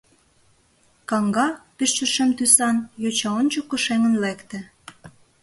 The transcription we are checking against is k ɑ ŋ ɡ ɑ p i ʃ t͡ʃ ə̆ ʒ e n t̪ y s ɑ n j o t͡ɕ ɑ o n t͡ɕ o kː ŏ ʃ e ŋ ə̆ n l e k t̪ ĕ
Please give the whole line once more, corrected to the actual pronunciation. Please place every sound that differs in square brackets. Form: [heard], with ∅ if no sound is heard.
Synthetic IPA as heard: k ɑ ŋ ɡ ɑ p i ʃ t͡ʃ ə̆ [ʃ] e [m] t̪ y s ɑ n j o t͡ɕ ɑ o n t͡ɕ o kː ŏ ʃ e ŋ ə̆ n l e k t̪ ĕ